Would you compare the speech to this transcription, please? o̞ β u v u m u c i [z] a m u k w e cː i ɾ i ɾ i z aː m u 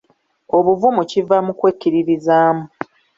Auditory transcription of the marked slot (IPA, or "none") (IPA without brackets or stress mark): v